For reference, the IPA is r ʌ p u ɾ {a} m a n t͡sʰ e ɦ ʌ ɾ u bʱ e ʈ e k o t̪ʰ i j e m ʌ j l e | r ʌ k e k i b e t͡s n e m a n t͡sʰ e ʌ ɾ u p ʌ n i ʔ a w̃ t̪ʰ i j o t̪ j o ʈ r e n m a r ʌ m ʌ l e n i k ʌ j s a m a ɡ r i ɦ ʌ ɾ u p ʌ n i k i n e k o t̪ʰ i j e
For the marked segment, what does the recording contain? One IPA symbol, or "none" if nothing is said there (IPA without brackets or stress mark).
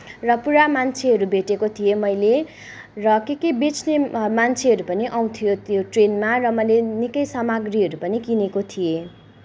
a